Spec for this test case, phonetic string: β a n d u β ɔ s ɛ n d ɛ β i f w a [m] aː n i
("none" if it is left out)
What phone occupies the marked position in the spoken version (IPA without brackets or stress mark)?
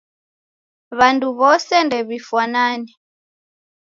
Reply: n